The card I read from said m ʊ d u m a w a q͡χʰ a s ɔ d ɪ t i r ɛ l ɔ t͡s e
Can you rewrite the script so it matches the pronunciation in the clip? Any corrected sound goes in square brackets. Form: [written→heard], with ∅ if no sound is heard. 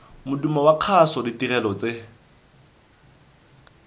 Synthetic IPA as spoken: m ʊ d u m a w a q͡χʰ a s ɔ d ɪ t i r ɛ l ɔ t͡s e